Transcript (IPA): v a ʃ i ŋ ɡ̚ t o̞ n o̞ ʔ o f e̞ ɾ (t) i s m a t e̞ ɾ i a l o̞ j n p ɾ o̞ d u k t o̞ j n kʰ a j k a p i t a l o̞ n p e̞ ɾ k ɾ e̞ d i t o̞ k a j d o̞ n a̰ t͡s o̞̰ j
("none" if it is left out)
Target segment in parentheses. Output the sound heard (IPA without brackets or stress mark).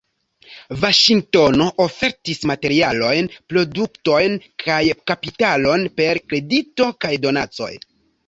t